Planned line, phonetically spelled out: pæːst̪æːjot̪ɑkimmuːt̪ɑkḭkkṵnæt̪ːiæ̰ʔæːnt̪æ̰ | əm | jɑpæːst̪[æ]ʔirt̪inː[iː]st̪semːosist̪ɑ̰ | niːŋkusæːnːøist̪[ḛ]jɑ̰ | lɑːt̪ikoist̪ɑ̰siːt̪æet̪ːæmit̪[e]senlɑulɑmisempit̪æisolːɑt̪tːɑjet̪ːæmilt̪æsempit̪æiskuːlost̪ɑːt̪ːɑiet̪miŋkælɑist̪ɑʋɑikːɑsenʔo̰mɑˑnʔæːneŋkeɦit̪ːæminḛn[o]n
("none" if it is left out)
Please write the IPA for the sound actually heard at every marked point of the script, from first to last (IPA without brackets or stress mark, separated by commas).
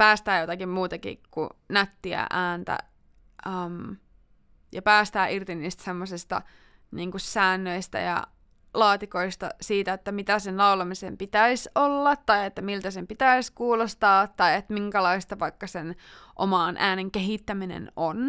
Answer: æː, iː, æ̰, æ, o